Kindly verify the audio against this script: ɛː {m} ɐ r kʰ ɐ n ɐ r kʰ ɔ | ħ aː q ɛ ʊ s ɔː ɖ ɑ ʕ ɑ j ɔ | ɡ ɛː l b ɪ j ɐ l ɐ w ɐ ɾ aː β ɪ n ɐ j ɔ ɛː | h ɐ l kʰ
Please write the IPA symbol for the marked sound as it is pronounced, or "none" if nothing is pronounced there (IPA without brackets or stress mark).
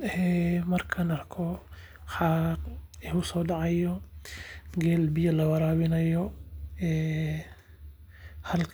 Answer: m